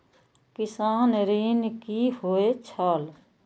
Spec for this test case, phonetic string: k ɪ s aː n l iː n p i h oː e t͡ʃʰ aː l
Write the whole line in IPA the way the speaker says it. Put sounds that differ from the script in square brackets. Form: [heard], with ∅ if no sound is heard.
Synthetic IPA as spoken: k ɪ s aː n [ɾ] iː n [k] i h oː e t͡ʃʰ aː l